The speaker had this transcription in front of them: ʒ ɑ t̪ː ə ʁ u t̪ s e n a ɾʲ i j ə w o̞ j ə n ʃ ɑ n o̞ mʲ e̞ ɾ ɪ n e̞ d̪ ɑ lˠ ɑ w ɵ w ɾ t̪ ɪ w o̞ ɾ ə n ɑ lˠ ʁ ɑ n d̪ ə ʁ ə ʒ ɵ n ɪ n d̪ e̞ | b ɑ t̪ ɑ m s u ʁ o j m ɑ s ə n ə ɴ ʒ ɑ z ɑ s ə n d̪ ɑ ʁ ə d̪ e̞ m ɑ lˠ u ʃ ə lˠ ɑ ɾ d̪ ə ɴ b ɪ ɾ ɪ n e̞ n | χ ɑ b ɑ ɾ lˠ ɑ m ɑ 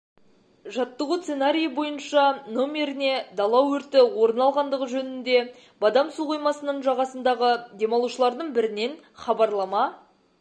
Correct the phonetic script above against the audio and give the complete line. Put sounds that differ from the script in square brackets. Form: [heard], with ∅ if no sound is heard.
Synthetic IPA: ʒ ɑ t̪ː ə ʁ u t̪ s e n a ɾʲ i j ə [b] o̞ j ə n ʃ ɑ n o̞ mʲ e̞ ɾ ɪ n e̞ d̪ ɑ lˠ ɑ w ɵ [∅] ɾ t̪ ɪ w o̞ ɾ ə n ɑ lˠ ʁ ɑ n d̪ ə ʁ ə ʒ ɵ n ɪ n d̪ e̞ | b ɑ [d̪] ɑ m s u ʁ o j m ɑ s ə n ə ɴ ʒ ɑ [ʁ] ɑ s ə n d̪ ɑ ʁ ə d̪ e̞ m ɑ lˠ u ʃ ə lˠ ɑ ɾ d̪ ə ɴ b ɪ ɾ ɪ n e̞ n | χ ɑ b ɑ ɾ lˠ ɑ m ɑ